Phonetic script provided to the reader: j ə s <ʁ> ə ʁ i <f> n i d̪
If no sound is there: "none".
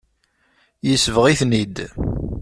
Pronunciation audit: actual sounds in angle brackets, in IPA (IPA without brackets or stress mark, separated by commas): v, θ